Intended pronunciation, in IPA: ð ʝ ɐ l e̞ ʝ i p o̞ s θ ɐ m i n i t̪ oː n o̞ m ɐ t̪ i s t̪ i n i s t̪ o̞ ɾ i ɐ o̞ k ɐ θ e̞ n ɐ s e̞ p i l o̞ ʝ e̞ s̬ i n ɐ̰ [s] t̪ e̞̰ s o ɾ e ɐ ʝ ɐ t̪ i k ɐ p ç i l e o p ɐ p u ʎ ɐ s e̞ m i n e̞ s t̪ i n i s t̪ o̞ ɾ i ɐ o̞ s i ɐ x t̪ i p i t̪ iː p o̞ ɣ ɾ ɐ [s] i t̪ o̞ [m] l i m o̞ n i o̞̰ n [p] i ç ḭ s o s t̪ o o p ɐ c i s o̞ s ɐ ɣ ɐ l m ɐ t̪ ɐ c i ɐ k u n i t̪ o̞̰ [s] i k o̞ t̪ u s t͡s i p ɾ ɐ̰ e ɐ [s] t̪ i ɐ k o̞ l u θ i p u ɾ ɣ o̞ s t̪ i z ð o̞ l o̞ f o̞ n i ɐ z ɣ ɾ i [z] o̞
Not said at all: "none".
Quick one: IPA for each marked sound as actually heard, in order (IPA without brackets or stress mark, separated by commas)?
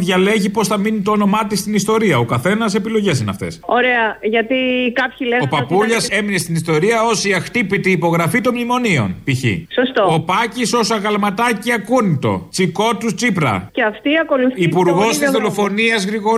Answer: f, f, m, p, t͡s, f, ɣ